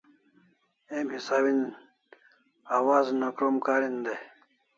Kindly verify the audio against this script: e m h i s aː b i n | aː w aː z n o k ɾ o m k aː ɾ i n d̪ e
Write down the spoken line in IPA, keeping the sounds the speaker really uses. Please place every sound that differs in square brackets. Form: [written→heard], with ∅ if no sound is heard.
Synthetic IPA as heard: e m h i s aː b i n | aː w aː z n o k ɾ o m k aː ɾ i n d̪ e